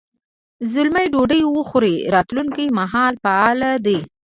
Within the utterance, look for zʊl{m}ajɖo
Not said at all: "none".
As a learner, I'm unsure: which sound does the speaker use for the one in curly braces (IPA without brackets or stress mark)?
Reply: m